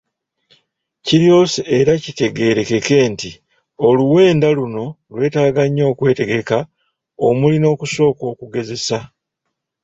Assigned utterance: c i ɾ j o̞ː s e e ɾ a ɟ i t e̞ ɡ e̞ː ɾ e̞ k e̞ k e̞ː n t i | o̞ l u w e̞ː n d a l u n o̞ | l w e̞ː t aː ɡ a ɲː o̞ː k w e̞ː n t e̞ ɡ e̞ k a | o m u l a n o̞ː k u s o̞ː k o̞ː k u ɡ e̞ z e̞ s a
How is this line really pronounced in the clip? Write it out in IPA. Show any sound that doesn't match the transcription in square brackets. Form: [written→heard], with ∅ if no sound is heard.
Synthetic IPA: c i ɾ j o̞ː s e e ɾ a [ɟ→c] i t e̞ ɡ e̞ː ɾ e̞ k e̞ k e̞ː n t i | o̞ l u w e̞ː n d a l u n o̞ | l w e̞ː t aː ɡ a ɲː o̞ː k w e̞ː [n→∅] t e̞ ɡ e̞ k a | o m u l [a→i] n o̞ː k u s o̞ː k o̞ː k u ɡ e̞ z e̞ s a